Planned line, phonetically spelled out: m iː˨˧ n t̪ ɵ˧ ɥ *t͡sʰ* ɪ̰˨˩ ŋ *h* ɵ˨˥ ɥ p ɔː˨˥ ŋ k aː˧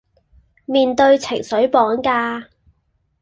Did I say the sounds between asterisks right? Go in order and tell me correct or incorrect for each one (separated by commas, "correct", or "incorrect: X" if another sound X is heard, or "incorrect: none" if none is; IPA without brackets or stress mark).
correct, incorrect: s